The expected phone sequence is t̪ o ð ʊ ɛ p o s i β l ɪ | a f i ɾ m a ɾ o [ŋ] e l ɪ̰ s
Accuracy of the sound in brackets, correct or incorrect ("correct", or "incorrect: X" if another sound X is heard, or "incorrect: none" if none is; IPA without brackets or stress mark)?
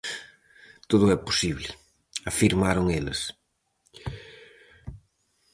correct